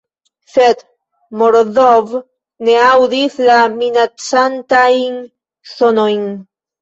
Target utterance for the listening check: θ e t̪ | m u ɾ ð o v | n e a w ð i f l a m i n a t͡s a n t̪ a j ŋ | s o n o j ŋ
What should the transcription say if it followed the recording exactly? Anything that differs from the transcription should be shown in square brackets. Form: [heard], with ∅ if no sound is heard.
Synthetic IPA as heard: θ e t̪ | m [o] ɾ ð o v | n e a w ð i [θ] l a m i n a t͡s a n t̪ a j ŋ | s o n o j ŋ